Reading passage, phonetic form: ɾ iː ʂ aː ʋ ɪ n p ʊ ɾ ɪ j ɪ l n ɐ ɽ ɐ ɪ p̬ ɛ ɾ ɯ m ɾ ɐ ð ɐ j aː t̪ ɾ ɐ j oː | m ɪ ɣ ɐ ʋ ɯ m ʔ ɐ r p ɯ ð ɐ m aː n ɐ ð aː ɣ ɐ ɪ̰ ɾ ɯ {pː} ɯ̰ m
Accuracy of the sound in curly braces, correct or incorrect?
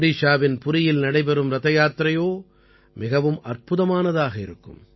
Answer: incorrect